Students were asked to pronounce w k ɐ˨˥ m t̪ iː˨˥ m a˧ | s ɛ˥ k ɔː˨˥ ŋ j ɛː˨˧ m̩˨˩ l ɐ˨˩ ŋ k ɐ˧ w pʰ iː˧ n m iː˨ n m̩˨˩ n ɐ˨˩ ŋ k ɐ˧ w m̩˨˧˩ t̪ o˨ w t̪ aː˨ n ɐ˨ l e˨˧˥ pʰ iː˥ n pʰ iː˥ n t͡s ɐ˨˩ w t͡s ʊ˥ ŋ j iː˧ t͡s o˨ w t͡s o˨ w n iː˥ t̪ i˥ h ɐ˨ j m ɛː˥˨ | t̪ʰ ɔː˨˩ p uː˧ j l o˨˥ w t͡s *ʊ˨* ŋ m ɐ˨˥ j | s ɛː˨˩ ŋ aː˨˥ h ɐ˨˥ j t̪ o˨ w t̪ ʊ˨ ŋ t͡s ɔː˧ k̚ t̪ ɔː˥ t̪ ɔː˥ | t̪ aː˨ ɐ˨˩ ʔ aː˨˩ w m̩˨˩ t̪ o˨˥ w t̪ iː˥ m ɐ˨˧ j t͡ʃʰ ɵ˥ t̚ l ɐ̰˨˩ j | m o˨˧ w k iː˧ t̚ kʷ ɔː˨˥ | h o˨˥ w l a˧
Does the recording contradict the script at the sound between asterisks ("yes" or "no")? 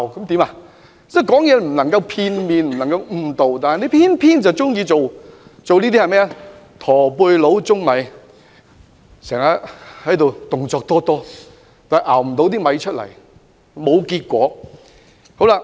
yes